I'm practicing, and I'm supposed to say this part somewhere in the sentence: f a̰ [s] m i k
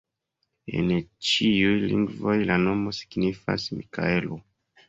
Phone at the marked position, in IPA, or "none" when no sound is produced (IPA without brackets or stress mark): s